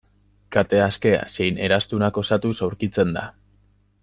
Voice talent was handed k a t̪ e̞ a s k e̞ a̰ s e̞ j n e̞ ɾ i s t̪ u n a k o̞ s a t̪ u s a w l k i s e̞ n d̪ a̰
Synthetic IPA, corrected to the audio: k a t̪ e̞ a s k e̞ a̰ s e̞ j n e̞ ɾ a s t̪ u n a k o̞ s a t̪ u s a w ɾ k i t͡s e̞ n d̪ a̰